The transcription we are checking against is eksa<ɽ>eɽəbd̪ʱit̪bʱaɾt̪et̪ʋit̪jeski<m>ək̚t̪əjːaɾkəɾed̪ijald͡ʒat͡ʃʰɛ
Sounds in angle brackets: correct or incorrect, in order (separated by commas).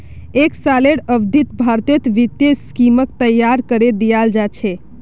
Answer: incorrect, correct